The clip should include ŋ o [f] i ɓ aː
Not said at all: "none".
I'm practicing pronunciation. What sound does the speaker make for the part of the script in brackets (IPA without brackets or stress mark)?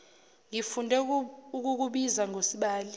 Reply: s